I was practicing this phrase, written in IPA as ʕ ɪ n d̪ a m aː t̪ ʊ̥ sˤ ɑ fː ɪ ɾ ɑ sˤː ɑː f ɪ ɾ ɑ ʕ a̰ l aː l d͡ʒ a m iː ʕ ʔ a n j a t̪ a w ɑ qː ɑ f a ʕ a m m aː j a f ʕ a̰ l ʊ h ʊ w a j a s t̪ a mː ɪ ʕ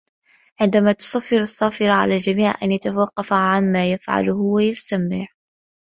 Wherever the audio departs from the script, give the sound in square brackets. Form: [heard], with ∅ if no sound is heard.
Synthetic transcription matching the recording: ʕ ɪ n d̪ a m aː t̪ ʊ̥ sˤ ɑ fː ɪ ɾ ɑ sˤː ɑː f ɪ ɾ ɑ ʕ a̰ l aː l d͡ʒ a m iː ʕ ʔ a n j a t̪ a w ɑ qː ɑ f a ʕ a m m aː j a f ʕ a̰ l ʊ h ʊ w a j a s t̪ a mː ɪ ʕ